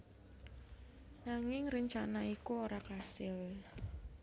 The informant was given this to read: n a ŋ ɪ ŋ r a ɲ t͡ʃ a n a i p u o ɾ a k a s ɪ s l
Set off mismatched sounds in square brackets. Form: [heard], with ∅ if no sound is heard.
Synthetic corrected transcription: n a ŋ ɪ ŋ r [ə] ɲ t͡ʃ a n a i [k] u o ɾ a k a s ɪ [∅] l